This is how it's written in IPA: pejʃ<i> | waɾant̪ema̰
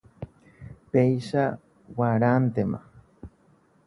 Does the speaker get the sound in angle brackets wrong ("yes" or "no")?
yes